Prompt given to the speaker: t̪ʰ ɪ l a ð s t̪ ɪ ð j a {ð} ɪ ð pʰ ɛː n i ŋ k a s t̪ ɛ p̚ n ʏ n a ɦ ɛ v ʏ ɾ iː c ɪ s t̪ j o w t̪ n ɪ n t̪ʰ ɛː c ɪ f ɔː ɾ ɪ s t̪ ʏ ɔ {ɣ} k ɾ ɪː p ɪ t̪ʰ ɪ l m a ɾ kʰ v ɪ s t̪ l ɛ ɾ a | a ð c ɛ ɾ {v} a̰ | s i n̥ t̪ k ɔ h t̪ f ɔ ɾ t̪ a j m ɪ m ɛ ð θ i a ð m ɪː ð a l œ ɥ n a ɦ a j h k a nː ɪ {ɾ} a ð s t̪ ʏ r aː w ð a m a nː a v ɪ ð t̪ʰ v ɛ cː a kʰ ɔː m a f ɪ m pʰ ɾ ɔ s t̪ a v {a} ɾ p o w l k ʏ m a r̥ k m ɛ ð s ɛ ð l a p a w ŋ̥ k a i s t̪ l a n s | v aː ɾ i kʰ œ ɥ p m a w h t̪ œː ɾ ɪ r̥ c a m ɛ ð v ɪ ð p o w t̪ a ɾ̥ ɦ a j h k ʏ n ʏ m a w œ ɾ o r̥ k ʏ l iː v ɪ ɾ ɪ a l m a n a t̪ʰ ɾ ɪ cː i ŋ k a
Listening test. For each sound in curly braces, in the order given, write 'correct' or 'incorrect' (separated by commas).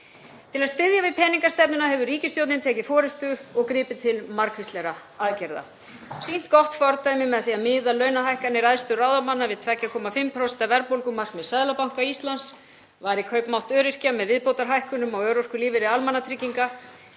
incorrect, correct, incorrect, correct, incorrect